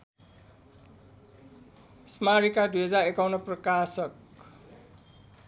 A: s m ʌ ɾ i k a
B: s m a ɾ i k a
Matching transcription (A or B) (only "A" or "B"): B